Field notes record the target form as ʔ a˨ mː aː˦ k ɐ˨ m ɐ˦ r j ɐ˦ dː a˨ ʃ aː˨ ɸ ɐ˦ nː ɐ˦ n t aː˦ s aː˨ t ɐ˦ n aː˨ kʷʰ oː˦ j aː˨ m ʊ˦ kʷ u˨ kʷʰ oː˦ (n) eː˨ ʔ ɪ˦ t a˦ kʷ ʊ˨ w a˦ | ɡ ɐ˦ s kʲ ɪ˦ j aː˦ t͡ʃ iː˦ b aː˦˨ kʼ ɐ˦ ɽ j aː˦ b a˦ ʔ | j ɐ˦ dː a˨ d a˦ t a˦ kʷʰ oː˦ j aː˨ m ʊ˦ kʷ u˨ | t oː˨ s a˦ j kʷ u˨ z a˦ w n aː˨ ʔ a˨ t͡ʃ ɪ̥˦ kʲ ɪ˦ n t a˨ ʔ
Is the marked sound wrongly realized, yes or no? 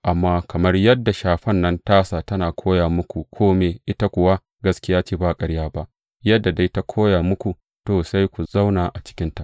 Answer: yes